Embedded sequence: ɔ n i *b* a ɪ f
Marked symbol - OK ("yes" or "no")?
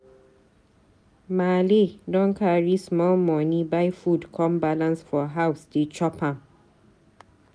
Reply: yes